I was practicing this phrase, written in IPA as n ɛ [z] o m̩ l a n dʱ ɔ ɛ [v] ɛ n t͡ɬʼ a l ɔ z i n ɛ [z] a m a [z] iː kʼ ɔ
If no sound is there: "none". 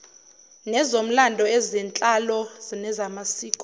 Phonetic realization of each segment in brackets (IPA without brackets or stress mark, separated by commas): z, z, z, s